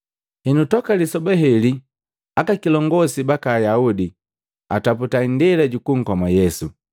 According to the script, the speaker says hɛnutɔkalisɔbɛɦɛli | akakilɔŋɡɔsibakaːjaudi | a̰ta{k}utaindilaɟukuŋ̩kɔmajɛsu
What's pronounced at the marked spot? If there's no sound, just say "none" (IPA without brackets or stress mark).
p